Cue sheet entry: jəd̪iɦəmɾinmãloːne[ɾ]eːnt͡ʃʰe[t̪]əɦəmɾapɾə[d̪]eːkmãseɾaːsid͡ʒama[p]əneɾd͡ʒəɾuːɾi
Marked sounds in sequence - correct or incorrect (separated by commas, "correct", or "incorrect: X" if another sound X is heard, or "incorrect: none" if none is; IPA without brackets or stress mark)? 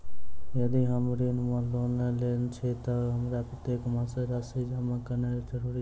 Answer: incorrect: l, correct, incorrect: t̪, incorrect: k